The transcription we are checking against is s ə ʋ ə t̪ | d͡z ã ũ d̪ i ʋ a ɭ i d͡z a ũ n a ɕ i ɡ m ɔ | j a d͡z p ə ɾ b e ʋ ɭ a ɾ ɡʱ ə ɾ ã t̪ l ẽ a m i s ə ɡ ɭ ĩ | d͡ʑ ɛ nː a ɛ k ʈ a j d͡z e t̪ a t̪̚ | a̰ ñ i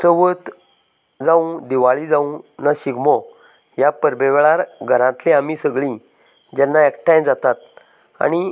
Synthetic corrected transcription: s ə ʋ ə t̪ | d͡z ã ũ d̪ i ʋ a ɭ i d͡z a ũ n a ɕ i ɡ m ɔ | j a p ə ɾ b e ʋ ɭ a ɾ ɡʱ ə ɾ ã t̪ l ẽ a m i s ə ɡ ɭ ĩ | d͡ʑ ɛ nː a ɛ k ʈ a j d͡z a t̪ a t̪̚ | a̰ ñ i